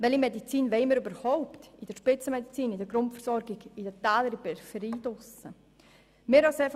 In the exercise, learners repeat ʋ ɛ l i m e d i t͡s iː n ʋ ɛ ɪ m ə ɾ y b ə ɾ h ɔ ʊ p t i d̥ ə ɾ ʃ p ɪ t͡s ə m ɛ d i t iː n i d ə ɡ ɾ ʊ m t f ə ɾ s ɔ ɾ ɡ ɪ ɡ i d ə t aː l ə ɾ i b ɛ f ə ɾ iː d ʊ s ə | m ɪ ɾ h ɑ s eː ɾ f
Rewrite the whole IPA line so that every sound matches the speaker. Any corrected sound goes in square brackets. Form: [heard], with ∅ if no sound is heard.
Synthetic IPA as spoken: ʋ ɛ l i m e d i t͡s iː n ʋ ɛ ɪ m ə ɾ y b ə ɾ h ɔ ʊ p t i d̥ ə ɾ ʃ p ɪ t͡s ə m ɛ d i [t͡s] iː n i d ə ɡ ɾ ʊ [n] t f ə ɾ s ɔ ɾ ɡ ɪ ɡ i d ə t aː l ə ɾ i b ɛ f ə ɾ iː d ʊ s ə | m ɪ ɾ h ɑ s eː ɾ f